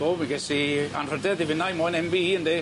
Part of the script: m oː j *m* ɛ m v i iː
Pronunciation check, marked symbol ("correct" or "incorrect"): incorrect